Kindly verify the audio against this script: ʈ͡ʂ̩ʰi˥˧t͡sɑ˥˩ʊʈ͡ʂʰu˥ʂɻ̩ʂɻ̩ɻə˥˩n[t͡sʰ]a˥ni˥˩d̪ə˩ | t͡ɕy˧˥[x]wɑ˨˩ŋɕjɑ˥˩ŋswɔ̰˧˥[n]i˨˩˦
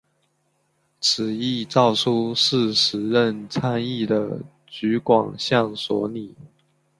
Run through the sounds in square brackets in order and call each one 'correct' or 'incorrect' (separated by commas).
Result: correct, incorrect, correct